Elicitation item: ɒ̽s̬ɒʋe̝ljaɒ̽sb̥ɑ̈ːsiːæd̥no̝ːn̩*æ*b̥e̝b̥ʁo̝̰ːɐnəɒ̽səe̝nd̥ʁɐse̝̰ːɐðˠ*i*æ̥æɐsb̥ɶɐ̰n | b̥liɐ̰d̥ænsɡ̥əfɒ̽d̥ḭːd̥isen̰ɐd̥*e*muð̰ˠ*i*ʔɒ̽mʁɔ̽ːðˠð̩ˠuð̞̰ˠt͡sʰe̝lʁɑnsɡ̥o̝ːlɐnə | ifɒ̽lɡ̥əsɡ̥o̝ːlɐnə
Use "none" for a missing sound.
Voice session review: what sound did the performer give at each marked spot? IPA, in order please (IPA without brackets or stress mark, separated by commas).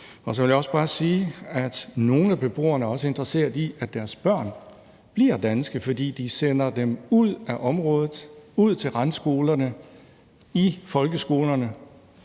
æ, i, e, æ